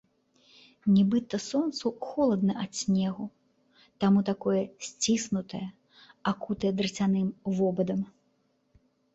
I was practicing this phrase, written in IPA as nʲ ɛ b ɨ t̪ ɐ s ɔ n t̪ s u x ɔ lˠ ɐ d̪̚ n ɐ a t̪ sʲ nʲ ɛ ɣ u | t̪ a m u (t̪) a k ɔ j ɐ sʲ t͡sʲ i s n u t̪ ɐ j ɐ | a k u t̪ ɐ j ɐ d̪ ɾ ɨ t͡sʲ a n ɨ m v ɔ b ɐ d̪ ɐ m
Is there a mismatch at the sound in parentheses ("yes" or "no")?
no